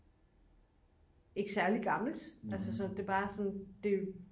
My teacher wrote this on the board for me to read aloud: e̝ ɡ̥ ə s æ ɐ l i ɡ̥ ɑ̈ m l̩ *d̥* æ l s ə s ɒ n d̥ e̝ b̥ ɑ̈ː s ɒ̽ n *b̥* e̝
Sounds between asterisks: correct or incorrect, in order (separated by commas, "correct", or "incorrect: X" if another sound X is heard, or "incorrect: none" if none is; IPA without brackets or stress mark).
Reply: correct, incorrect: d̥